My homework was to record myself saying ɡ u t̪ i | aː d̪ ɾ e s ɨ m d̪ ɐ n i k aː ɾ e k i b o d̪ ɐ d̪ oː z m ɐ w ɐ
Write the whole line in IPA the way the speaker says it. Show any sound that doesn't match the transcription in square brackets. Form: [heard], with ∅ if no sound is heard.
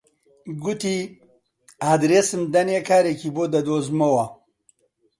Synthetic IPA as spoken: ɡ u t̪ i | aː d̪ ɾ e s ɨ m d̪ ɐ n [e] k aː ɾ e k i b o d̪ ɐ d̪ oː z m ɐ w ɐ